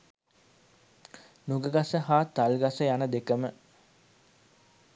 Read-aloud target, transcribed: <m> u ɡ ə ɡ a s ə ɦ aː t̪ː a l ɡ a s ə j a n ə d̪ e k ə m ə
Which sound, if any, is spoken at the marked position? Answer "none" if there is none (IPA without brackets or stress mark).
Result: n